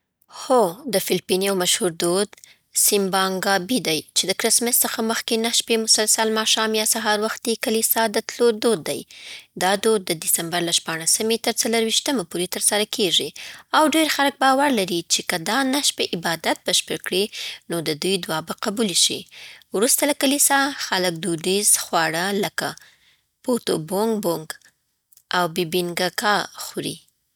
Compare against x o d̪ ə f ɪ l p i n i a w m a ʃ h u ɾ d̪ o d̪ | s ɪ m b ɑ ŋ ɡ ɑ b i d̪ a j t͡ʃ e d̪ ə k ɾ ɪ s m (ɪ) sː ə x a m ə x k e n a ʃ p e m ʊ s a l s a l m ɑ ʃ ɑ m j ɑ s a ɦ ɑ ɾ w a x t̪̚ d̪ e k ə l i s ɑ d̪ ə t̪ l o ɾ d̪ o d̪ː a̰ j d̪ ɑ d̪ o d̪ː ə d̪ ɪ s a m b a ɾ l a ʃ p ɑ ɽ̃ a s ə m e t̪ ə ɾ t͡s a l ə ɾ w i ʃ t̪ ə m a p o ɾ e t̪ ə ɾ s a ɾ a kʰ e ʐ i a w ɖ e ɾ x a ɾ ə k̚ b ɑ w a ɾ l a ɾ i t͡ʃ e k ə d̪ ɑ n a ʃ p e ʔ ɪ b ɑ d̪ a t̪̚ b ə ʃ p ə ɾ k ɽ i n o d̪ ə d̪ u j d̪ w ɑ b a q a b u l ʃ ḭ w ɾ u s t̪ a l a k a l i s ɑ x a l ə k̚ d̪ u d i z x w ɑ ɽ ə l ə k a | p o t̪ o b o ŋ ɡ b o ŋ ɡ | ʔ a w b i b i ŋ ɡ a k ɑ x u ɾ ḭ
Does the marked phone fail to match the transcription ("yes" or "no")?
no